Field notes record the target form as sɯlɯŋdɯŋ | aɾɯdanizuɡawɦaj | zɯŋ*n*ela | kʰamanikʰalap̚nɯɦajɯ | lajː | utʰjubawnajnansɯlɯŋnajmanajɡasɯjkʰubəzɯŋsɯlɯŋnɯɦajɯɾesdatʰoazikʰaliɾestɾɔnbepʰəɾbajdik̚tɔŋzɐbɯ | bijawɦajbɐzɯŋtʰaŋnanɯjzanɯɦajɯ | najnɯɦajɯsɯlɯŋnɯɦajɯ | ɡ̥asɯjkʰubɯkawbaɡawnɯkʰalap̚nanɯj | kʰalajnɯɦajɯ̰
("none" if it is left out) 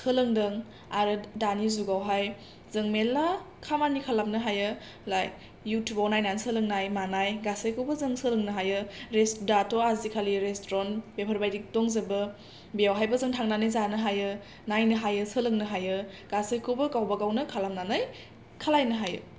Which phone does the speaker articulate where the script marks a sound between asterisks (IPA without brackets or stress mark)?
m